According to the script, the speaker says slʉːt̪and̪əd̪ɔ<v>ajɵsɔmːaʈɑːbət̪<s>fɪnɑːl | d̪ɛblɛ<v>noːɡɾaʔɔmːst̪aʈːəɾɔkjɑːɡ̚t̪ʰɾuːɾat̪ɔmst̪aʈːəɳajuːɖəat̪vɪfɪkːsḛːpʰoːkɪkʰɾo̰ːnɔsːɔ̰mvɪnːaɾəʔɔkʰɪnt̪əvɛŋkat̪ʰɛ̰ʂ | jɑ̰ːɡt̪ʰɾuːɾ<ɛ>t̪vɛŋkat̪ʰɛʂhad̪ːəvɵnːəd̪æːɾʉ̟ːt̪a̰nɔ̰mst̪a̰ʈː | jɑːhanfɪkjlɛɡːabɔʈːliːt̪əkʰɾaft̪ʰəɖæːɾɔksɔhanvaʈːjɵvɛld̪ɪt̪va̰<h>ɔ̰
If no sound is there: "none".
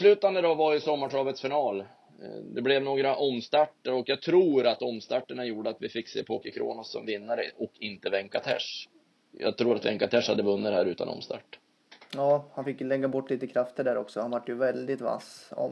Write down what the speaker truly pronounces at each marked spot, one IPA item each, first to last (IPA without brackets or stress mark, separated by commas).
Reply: v, s, v, a, s